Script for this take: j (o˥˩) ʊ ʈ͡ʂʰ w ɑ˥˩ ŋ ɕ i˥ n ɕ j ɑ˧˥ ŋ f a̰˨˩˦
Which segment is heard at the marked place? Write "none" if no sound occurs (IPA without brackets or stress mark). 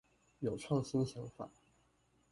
o˨˩